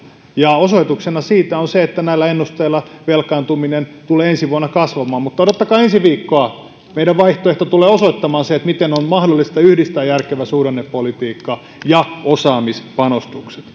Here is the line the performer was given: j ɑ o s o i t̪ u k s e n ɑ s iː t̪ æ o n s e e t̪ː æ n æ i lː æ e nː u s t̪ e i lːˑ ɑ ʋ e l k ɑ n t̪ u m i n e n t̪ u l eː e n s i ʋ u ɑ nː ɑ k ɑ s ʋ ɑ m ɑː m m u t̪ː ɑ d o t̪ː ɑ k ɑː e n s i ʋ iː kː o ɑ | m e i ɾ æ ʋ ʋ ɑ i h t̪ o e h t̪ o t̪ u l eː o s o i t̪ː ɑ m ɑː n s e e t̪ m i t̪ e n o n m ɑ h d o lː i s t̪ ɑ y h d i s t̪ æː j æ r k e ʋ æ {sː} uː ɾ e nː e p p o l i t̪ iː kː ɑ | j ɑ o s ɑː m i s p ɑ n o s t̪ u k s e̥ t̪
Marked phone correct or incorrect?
incorrect: s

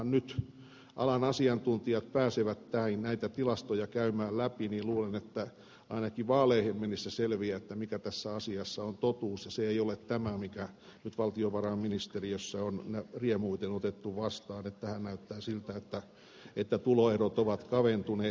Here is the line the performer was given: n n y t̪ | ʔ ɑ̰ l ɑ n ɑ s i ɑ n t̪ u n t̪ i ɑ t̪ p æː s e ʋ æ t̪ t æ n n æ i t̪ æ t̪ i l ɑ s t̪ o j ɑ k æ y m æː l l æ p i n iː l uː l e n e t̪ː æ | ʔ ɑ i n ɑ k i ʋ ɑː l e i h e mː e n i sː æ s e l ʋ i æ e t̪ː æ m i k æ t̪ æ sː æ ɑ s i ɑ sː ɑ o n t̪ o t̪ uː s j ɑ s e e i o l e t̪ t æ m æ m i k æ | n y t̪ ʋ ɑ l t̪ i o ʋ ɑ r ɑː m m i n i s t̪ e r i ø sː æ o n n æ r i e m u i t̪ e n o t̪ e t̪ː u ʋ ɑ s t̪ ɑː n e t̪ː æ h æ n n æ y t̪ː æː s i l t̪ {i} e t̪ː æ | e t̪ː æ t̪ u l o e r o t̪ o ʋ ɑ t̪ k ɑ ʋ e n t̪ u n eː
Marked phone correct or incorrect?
incorrect: æ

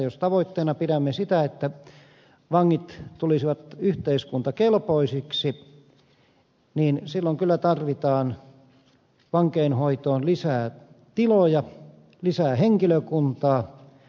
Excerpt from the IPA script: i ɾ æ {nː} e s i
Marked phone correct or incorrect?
incorrect: mː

